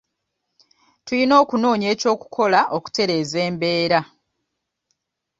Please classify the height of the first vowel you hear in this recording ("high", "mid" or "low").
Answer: high